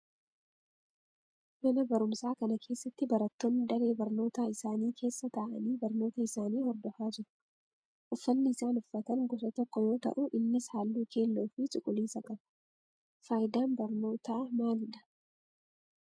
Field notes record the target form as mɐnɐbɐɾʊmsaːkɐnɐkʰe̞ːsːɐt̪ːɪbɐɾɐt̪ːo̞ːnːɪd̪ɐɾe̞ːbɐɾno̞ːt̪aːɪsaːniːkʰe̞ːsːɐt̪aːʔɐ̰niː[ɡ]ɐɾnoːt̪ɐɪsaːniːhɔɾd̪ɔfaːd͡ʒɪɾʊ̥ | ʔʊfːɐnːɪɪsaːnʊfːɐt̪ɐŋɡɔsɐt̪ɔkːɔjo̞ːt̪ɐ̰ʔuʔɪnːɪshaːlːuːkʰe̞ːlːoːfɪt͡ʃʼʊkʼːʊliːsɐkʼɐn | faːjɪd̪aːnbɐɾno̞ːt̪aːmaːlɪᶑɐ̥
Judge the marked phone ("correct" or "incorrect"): incorrect